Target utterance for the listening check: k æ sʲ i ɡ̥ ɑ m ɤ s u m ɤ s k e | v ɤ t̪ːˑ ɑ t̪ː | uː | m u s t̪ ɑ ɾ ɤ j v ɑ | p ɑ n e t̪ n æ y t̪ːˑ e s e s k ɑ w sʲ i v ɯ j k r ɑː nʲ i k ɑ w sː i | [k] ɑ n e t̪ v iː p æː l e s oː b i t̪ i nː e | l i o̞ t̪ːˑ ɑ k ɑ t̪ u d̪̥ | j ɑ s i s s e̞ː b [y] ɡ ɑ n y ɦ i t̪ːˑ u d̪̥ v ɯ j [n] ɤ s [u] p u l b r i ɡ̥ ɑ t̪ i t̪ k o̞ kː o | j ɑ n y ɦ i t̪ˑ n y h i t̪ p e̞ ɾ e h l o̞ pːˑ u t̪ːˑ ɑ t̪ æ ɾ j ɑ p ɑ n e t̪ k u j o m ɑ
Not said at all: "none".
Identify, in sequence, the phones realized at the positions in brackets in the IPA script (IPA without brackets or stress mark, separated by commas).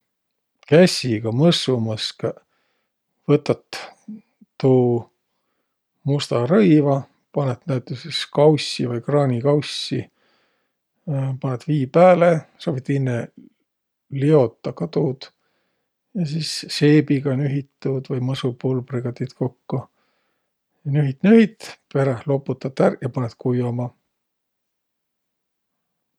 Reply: p, i, m, u